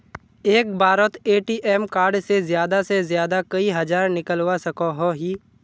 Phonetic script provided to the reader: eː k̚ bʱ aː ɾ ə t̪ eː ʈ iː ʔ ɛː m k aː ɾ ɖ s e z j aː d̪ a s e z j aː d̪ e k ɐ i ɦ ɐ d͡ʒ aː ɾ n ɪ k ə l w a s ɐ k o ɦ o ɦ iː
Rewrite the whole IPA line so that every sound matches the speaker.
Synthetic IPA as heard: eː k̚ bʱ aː ɾ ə t̪ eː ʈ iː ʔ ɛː m k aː ɾ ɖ s e z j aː d̪ a s e z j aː d̪ a k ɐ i ɦ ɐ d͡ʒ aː ɾ n ɪ k ə l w a s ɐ k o ɦ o ɦ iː